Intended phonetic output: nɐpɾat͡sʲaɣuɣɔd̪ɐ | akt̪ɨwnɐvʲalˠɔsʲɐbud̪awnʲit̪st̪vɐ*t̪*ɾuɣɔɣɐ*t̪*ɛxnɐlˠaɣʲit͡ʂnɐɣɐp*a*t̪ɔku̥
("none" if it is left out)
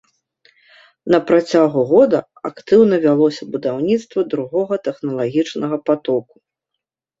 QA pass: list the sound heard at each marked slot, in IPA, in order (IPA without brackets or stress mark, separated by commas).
d̪, t̪, a